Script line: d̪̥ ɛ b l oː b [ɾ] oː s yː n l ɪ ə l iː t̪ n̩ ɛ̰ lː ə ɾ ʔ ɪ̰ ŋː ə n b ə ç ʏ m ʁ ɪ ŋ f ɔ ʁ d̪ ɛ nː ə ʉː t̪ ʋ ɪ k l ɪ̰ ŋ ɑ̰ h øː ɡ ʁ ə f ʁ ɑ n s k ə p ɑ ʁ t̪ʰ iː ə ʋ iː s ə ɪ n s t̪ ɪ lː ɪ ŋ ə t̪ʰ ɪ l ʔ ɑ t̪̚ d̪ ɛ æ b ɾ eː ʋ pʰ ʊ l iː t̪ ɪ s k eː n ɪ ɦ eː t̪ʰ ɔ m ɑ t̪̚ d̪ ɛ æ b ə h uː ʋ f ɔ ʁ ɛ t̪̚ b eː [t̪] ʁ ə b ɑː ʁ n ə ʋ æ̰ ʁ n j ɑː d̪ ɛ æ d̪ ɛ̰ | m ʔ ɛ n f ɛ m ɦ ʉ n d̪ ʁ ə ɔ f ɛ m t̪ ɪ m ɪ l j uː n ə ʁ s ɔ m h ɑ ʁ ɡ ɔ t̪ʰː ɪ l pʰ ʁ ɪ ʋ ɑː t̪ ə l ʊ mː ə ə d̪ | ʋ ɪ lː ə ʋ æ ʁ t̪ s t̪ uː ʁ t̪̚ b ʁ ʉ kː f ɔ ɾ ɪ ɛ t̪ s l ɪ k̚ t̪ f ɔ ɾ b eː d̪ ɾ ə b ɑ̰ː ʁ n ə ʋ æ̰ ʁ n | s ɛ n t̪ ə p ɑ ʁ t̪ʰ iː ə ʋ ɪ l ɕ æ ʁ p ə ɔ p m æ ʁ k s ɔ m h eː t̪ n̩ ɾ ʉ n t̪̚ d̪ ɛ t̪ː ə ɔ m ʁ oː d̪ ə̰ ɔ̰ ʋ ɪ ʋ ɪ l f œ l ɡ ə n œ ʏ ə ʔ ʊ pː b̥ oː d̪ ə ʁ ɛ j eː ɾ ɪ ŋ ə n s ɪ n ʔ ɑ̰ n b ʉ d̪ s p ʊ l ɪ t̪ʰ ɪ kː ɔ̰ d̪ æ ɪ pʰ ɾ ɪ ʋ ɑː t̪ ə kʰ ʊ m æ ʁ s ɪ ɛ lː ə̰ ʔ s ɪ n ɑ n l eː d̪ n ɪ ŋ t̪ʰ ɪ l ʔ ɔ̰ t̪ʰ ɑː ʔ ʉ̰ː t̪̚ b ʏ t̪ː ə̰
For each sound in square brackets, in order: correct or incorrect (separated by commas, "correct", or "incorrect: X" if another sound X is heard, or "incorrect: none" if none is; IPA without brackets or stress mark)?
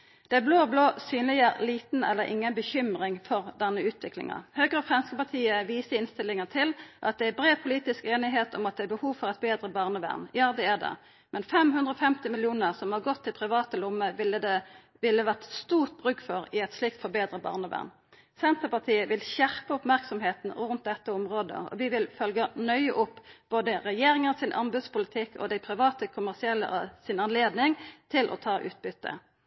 incorrect: l, incorrect: d̪